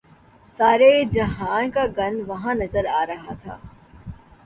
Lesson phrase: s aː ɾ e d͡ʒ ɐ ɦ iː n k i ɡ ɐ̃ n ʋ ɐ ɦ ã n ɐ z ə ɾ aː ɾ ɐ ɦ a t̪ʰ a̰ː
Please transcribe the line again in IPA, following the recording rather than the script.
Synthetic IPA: s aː ɾ e d͡ʒ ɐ ɦ aː n k a ɡ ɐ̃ n ʋ ɐ ɦ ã n ɐ z ə ɾ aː ɾ ɐ ɦ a t̪ʰ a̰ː